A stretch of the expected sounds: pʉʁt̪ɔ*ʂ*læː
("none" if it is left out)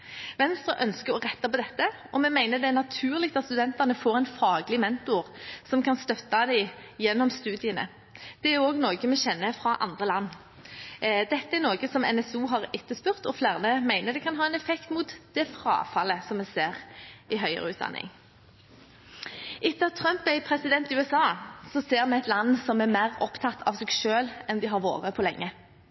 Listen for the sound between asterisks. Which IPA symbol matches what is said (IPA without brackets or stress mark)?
f